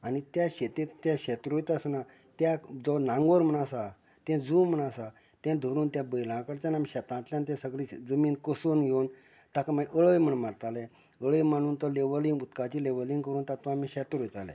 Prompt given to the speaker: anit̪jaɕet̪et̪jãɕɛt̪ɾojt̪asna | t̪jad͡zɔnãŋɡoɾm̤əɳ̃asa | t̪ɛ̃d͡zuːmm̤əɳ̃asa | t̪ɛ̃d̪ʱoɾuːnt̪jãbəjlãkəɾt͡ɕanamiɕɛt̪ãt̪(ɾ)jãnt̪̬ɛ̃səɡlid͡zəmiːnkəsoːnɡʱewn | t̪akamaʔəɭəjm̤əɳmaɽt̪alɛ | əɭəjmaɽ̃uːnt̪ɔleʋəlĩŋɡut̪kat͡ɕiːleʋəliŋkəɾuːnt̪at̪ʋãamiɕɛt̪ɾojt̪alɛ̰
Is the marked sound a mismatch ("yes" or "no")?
yes